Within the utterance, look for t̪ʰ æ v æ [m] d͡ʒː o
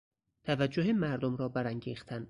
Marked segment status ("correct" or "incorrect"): incorrect